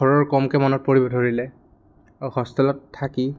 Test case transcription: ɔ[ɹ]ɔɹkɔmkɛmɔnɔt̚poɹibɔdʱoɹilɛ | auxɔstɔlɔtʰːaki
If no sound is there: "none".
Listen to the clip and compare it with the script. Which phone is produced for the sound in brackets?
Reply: ɹ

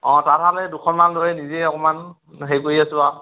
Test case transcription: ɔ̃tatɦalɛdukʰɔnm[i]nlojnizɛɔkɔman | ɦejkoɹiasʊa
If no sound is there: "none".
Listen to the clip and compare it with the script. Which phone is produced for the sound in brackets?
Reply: a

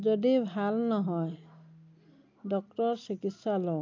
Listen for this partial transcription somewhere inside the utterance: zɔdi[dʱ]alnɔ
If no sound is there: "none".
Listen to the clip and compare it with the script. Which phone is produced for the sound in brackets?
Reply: bʱ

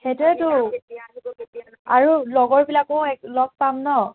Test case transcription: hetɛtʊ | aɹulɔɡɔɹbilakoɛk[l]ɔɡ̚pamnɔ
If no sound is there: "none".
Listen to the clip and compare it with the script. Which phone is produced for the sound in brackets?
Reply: l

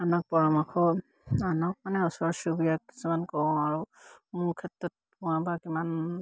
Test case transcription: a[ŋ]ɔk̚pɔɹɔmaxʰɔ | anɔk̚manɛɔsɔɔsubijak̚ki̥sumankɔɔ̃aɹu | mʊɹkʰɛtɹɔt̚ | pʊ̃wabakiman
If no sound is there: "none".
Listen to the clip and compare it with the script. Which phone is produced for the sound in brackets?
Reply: n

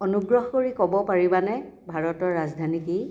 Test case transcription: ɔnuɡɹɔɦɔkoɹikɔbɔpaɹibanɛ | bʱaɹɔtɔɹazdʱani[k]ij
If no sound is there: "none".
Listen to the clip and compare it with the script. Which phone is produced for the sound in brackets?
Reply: k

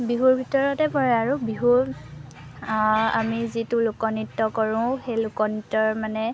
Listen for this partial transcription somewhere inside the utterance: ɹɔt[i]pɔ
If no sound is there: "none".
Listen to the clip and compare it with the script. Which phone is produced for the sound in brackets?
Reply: ɛ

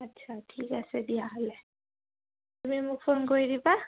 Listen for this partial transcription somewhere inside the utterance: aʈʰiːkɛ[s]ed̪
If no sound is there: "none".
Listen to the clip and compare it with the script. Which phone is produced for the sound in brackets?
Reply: s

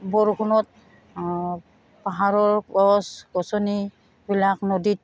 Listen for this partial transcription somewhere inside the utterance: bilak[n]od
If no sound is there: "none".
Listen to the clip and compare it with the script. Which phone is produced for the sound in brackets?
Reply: n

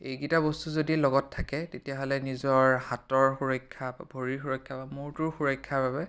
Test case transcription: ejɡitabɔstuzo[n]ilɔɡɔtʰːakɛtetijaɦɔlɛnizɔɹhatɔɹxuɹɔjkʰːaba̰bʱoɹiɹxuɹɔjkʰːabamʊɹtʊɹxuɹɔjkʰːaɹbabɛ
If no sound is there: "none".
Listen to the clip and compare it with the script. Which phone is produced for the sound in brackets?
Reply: d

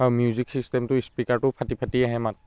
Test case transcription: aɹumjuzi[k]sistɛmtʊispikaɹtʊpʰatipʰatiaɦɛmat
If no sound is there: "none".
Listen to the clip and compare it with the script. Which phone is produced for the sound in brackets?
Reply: k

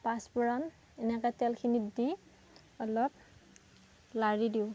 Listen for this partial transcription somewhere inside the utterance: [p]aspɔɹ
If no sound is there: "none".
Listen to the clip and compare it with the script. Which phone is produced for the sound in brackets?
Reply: p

